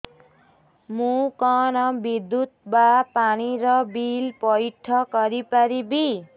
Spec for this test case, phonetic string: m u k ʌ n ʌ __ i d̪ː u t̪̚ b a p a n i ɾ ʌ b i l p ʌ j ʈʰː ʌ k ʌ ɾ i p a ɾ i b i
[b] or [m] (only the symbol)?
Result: b